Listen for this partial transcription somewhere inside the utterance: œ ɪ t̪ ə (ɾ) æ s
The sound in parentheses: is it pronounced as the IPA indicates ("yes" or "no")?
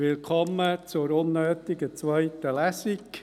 no